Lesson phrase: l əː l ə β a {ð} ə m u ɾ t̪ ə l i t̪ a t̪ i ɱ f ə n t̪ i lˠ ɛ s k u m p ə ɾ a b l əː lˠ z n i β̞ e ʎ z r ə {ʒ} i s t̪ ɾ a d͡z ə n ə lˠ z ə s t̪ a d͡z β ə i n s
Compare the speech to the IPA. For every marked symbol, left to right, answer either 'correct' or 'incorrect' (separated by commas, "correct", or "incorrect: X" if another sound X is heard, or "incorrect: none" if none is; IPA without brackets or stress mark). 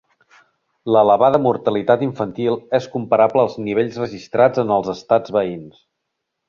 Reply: correct, correct